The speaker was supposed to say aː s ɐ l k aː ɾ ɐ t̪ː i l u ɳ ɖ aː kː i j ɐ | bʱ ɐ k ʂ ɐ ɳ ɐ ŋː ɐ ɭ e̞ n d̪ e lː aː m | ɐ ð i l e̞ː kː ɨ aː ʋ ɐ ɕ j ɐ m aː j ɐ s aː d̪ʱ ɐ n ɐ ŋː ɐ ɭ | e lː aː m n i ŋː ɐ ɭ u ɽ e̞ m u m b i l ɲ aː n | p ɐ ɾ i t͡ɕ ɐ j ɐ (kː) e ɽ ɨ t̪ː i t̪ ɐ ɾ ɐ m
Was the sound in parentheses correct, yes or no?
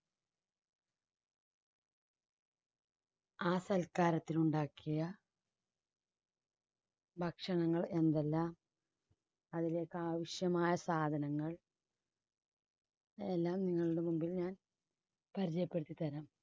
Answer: no